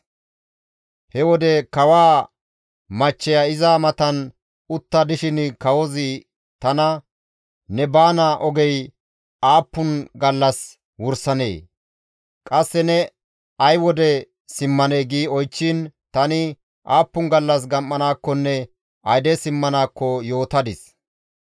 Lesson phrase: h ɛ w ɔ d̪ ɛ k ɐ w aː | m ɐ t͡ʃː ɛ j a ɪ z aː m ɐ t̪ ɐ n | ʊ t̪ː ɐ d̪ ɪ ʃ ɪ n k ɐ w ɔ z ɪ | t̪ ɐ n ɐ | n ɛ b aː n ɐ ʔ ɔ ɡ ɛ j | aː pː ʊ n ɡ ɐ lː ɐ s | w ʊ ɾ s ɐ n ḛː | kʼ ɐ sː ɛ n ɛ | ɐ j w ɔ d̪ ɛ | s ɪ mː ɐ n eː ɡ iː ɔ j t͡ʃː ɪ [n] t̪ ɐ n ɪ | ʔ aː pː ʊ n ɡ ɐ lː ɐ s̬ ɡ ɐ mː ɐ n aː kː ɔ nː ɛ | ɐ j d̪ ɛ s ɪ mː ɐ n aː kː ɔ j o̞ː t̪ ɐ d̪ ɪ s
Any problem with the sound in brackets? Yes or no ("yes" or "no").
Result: no